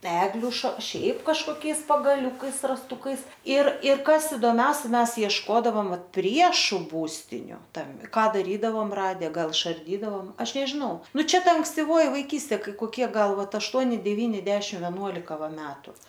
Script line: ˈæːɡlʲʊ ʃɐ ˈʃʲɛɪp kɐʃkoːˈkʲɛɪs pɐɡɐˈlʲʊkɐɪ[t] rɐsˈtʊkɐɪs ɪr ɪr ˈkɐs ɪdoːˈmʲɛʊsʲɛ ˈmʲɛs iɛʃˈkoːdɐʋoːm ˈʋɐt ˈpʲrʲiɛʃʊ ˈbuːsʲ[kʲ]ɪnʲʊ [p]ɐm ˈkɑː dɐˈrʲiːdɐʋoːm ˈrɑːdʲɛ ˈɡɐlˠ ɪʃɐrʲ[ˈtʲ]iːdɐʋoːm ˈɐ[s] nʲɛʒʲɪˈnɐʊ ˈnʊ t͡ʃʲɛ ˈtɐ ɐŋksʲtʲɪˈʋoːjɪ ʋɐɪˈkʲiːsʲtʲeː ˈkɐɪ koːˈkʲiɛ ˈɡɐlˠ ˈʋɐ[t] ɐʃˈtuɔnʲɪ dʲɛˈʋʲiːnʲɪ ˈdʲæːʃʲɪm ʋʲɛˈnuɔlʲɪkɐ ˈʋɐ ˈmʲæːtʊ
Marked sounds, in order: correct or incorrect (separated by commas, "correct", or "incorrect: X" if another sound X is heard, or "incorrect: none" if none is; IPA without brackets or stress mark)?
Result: incorrect: s, incorrect: tʲ, incorrect: t, incorrect: dʲ, incorrect: ʃ, correct